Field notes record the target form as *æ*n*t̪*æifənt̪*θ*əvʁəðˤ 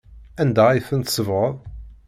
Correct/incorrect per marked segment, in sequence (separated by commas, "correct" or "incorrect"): correct, incorrect, incorrect